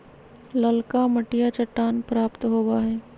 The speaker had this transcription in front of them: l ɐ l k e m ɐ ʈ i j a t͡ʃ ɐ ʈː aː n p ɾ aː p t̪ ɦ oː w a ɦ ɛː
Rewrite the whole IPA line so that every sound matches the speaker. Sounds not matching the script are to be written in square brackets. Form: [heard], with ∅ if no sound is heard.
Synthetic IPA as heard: l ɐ l k [a] m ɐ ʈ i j a t͡ʃ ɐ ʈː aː n p ɾ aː p t̪ ɦ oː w a ɦ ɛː